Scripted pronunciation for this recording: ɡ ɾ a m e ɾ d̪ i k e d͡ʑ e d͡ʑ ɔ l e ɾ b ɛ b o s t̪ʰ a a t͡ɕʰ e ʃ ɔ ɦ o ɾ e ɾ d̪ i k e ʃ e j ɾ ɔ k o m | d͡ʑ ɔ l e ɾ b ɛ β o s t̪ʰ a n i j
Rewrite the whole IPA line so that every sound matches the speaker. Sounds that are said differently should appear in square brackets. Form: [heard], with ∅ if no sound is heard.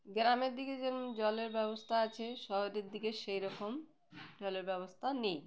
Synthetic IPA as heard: ɡ ɾ a m e ɾ d̪ i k e d͡ʑ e d͡ʑ ɔ l e ɾ b ɛ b o s t̪ʰ a a t͡ɕʰ e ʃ ɔ ɦ o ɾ e ɾ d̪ i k e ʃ e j ɾ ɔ k o m | d͡ʑ ɔ l e ɾ b ɛ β o s t̪ʰ a n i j